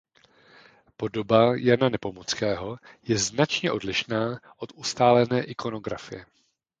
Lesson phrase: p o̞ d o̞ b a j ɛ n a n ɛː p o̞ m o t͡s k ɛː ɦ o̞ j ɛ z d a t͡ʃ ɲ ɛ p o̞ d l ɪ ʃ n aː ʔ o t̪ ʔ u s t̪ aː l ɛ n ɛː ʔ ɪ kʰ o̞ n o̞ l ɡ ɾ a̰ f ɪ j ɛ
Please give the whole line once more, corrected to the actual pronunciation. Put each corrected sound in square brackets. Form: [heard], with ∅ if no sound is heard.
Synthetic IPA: p o̞ d o̞ b a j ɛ n a n [ɛ] p o̞ m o t͡s k ɛː ɦ o̞ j ɛ z [n] a t͡ʃ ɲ ɛ [ʔ] o̞ d l ɪ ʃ n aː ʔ o t̪ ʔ u s t̪ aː l ɛ n ɛː ʔ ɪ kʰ o̞ n o̞ [∅] ɡ ɾ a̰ f ɪ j ɛ